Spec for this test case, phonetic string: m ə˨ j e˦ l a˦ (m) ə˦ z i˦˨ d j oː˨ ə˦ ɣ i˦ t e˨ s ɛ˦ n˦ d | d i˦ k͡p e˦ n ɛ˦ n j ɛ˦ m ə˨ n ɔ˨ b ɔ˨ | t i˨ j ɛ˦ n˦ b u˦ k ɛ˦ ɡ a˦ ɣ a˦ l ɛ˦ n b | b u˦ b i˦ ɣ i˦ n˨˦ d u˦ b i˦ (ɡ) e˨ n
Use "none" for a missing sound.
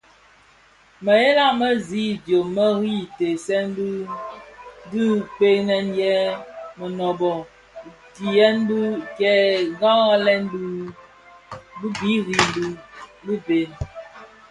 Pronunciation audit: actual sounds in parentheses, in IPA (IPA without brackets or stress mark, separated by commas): m, b